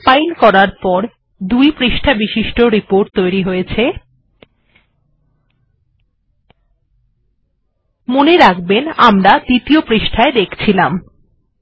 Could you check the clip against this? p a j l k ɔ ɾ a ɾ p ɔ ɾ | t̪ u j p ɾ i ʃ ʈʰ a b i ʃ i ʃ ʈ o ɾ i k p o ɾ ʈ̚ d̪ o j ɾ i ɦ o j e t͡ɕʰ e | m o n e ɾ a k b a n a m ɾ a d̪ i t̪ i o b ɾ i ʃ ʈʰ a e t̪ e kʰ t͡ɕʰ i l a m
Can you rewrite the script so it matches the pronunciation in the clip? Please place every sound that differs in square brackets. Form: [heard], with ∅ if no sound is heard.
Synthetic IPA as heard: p a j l k ɔ ɾ a ɾ p ɔ ɾ | [d̪] u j p ɾ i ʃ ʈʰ a b i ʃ i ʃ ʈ o ɾ i [∅] p o ɾ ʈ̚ [t̪] o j ɾ i ɦ o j e t͡ɕʰ e | m o n e ɾ a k b [e] n a m ɾ a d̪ i t̪ i o [p] ɾ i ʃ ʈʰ a e [d̪] e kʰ t͡ɕʰ i l a m